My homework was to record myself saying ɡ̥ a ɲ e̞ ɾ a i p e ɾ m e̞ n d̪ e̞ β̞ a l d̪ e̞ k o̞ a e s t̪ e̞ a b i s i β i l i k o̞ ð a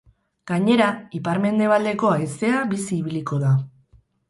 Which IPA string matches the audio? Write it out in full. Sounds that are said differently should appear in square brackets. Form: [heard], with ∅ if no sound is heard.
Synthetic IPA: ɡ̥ a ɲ e̞ ɾ a i p [a] ɾ m e̞ n d̪ e̞ β̞ a l d̪ e̞ k o̞ a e s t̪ e̞ a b i s [iː] β i l i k o̞ ð a